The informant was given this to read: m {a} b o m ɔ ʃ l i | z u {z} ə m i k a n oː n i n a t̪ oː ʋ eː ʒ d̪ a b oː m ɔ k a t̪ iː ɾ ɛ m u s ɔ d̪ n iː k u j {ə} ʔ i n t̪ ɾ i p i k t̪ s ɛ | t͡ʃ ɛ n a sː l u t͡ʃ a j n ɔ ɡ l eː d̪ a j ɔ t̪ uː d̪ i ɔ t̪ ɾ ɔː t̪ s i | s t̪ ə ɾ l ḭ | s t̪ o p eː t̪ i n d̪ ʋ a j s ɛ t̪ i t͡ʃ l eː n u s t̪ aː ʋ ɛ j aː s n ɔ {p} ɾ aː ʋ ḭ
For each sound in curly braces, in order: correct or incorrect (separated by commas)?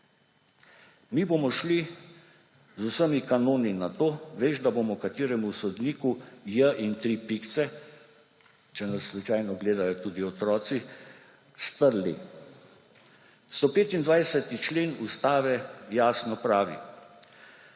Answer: incorrect, incorrect, correct, correct